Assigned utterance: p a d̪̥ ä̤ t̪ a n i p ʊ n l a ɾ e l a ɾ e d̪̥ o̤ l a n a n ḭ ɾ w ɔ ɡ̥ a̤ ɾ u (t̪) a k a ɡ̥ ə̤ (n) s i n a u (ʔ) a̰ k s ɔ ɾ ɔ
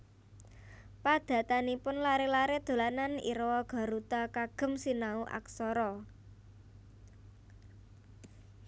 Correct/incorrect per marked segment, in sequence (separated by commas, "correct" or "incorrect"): correct, incorrect, correct